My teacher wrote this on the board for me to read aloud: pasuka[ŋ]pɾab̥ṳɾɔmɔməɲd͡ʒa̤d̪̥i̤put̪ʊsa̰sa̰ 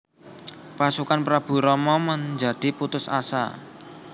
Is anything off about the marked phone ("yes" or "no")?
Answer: yes